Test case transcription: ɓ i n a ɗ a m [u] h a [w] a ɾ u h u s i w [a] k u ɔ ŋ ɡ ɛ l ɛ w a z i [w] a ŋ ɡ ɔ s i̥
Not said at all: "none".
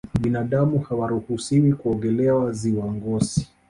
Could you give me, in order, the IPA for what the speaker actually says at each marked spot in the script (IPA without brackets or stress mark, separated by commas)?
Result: u, w, i, w